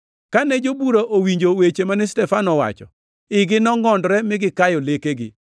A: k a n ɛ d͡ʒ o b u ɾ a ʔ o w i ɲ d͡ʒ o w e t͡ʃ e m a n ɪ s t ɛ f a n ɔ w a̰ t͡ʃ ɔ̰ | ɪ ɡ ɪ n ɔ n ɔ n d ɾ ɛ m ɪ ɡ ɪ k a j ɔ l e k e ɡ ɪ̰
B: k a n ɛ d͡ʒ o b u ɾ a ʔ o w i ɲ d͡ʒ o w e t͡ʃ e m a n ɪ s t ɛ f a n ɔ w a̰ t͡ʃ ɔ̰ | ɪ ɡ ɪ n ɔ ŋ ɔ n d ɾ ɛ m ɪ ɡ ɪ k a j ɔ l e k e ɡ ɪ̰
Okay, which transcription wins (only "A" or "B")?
B